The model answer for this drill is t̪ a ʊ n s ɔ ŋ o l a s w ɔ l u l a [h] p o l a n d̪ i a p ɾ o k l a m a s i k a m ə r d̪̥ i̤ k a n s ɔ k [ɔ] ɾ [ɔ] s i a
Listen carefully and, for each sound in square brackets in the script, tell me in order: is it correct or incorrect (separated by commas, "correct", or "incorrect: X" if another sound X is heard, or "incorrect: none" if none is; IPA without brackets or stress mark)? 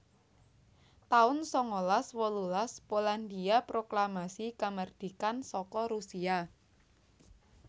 incorrect: s, correct, incorrect: u